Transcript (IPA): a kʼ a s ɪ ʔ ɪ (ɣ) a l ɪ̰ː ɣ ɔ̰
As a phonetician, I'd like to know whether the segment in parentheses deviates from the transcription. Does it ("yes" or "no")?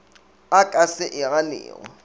no